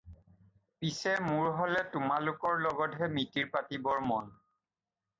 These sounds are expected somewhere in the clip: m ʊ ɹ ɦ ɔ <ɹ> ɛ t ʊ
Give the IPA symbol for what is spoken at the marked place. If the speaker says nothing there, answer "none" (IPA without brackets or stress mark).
l